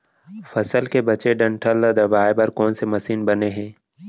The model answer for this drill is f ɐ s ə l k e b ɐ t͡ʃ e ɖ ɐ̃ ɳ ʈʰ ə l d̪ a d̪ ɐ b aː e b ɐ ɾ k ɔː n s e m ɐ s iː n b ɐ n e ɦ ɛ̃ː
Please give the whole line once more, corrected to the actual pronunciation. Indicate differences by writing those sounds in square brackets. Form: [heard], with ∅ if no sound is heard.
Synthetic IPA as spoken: f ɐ s ə l k e b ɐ t͡ʃ e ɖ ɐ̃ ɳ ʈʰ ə l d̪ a d̪ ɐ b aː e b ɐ ɾ k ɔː n s e m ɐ s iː n b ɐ n e ɦ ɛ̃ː

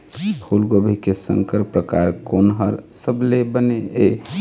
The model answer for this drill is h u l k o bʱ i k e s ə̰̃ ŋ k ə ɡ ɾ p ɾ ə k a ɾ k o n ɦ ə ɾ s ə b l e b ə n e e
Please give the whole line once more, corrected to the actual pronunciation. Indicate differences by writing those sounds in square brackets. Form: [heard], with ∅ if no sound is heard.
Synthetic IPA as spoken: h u l [ɡ] o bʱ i k e s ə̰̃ ŋ k ə [∅] ɾ p ɾ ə k a ɾ k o n ɦ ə ɾ s ə b l e b ə n e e

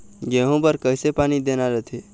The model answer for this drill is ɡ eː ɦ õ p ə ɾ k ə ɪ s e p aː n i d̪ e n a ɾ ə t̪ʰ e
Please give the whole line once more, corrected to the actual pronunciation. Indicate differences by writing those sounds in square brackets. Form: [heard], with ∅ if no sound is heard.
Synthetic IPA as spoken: ɡ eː ɦ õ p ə ɾ k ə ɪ s e p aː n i d̪ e n a ɾ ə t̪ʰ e

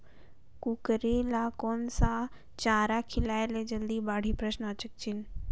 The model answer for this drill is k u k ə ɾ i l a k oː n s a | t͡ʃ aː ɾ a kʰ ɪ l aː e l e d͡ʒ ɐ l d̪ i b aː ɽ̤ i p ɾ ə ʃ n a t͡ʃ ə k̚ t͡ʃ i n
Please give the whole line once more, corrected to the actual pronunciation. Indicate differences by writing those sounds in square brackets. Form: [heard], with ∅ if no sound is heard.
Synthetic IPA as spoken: k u k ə ɾ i l a k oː n s a | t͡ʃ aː ɾ a kʰ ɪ l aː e l e d͡ʒ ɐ l d̪ i b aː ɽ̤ i p ɾ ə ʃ n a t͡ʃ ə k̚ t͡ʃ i n

